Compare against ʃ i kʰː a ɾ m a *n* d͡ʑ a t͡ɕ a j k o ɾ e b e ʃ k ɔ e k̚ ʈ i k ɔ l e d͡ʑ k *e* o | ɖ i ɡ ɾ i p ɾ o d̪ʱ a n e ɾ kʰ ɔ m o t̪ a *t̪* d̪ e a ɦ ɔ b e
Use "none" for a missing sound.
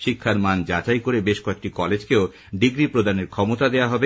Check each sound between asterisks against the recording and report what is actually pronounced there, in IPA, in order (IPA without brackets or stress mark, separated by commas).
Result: n, e, none